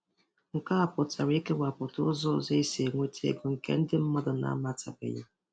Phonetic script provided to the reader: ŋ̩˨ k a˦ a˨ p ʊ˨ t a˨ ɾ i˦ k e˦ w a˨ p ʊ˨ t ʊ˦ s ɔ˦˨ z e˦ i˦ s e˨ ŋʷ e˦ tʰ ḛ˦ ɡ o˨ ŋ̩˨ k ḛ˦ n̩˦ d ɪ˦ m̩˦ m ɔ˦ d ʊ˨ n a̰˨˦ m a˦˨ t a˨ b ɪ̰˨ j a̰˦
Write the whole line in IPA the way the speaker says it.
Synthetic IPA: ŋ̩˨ k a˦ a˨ p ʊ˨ t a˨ ɾ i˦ k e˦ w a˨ p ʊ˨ t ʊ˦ z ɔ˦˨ z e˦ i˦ s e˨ ŋʷ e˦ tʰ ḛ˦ ɡ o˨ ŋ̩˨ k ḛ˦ n̩˦ d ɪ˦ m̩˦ m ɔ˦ d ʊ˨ n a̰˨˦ m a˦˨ t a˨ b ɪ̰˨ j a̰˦